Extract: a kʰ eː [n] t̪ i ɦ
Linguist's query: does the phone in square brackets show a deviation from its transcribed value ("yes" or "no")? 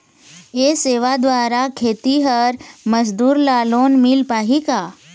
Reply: yes